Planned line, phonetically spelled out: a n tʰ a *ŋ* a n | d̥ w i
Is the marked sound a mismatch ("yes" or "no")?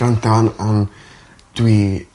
yes